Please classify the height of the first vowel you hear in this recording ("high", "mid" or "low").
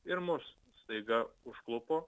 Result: high